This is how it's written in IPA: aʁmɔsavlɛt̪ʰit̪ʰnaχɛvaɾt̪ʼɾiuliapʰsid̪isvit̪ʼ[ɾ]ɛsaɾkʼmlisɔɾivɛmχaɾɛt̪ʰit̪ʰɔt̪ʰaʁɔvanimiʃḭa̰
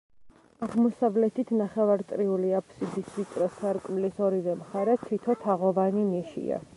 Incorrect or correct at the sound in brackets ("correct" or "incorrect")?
correct